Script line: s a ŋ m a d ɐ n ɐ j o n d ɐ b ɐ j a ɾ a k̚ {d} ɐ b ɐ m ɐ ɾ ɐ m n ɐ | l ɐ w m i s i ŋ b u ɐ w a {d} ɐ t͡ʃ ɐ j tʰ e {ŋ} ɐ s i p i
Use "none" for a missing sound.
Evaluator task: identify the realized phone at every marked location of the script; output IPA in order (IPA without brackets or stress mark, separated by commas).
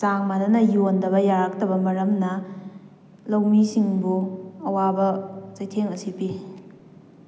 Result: t, b, ŋ